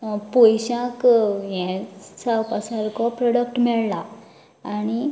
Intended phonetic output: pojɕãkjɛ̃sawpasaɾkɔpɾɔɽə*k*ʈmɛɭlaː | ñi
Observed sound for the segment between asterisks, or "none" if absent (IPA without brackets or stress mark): k